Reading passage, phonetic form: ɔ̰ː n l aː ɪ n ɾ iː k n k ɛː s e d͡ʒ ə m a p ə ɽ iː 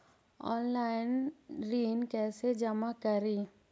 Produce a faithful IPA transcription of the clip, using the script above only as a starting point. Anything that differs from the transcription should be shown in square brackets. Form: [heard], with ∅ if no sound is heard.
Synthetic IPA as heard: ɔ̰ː n l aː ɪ n ɾ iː [∅] n k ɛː s e d͡ʒ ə m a [k] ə [ɾ] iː